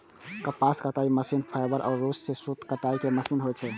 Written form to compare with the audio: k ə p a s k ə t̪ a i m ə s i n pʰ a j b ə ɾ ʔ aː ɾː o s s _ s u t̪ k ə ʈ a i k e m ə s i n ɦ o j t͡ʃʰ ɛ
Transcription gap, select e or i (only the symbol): e